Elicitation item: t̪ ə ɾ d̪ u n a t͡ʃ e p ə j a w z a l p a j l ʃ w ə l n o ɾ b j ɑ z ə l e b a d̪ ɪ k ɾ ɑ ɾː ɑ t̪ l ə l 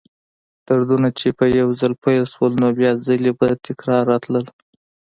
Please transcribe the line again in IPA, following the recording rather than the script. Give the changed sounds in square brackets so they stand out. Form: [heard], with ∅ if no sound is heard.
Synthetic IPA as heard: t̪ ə ɾ d̪ u n a t͡ʃ e p ə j a w z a l p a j l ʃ w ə l n o [∅] b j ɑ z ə l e b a [t̪] ɪ k ɾ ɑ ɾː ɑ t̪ l ə l